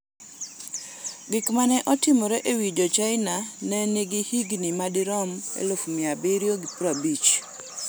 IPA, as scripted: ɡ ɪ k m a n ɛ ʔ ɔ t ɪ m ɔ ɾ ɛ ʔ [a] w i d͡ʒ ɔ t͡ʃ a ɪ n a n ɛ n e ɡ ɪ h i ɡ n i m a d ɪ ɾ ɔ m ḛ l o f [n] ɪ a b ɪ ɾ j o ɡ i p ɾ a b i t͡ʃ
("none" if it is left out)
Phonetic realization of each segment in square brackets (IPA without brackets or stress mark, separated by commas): e, m